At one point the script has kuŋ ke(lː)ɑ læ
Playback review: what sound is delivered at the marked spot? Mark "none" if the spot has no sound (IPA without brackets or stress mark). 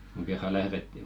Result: rː